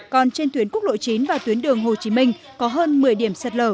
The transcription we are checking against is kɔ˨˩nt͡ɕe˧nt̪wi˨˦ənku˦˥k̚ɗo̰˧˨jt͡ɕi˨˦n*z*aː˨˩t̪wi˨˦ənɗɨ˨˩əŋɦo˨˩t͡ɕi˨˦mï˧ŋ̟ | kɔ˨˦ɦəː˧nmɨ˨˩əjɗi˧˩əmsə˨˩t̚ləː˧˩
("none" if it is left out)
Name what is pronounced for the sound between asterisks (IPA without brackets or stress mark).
v